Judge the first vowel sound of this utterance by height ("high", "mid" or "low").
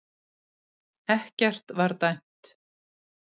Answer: mid